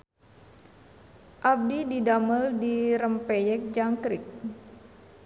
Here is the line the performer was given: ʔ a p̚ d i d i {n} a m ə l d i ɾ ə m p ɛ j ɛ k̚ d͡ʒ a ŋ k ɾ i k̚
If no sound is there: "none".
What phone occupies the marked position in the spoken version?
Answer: d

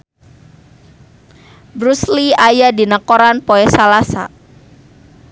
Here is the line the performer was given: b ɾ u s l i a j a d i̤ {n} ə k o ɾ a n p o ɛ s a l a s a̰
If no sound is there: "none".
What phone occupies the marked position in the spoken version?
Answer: n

